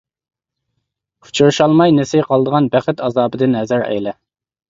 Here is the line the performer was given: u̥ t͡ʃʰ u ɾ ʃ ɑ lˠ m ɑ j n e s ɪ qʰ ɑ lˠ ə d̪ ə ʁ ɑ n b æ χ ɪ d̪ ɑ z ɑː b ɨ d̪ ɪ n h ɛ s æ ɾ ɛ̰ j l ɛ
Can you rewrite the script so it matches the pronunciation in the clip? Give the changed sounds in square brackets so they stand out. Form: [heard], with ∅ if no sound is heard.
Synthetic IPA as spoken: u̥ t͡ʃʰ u ɾ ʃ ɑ lˠ m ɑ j n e s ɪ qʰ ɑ lˠ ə d̪ ə ʁ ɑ n b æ χ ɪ [t̪] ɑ z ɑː b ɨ d̪ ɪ n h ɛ [z] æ ɾ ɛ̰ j l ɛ

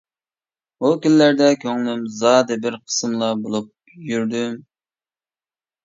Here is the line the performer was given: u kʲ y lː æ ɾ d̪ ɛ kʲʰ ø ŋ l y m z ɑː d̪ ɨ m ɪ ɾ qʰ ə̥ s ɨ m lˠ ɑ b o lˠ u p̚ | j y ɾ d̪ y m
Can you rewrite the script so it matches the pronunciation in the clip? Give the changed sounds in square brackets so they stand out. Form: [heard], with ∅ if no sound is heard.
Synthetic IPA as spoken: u kʲ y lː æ ɾ d̪ ɛ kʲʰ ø ŋ l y m z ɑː d̪ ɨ [b] ɪ ɾ qʰ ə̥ s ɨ m lˠ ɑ b o lˠ u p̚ | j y ɾ d̪ y m

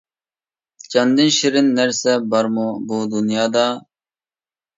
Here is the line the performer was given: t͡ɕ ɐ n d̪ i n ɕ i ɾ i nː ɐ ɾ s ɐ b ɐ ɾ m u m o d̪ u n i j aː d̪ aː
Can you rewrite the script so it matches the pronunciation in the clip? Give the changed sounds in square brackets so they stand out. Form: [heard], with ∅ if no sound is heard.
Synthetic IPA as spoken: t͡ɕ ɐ n d̪ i n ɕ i ɾ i nː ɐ ɾ s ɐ b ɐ ɾ m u [b] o d̪ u n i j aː d̪ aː

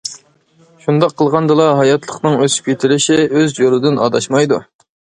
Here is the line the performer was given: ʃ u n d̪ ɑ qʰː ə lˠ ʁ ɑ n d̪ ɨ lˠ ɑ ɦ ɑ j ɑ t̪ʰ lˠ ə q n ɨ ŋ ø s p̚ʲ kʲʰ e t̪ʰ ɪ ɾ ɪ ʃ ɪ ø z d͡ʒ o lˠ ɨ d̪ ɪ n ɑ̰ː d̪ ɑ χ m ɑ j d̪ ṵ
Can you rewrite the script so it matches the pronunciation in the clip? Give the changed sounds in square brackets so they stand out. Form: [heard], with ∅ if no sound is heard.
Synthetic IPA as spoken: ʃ u n d̪ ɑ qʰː ə lˠ ʁ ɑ n d̪ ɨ lˠ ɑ ɦ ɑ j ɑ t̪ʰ lˠ ə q n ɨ ŋ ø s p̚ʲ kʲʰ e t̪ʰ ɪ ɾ ɪ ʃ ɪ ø z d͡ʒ o lˠ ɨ d̪ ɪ n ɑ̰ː d̪ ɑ [ʃ] m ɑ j d̪ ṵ

